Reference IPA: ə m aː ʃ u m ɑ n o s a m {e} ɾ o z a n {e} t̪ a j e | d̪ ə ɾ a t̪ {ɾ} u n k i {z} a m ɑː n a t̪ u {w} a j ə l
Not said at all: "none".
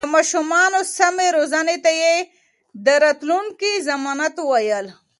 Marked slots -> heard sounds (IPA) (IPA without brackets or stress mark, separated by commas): e, e, l, z, w